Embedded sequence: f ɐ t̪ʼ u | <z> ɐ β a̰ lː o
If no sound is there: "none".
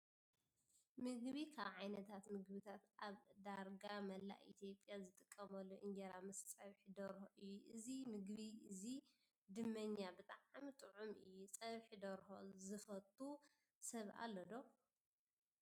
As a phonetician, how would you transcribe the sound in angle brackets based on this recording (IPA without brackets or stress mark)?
s